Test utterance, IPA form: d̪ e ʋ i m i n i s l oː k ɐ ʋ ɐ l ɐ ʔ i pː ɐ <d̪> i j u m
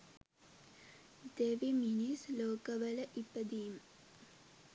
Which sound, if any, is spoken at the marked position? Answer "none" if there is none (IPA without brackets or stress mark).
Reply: d̪